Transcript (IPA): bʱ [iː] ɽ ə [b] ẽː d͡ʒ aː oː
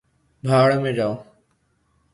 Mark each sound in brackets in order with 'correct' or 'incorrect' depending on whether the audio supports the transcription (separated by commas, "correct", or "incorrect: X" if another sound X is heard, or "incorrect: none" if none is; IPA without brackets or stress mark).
incorrect: aː, incorrect: m